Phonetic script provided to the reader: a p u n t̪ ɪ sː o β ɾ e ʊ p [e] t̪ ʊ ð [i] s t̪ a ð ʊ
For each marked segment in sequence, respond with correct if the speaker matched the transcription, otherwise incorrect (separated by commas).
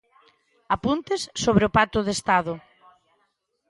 incorrect, incorrect